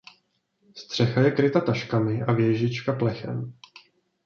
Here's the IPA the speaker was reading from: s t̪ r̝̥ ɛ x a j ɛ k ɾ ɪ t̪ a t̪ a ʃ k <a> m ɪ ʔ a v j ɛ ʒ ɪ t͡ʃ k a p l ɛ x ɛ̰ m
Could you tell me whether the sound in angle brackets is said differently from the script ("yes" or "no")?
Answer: no